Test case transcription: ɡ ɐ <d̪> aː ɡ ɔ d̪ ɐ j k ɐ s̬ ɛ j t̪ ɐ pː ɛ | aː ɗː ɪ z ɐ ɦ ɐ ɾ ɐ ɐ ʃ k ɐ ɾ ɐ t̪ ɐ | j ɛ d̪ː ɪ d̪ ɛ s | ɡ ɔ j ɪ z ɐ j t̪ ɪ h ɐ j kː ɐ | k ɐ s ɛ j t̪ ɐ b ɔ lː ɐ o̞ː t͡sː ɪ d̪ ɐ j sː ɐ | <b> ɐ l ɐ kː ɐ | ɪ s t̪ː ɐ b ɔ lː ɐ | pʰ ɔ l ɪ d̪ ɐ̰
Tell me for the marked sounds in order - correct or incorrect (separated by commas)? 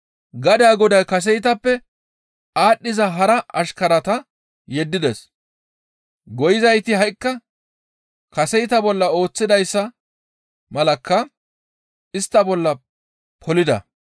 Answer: correct, incorrect